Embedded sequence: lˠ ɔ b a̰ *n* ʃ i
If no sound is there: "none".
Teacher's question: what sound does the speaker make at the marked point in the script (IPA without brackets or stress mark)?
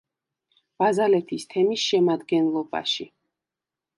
none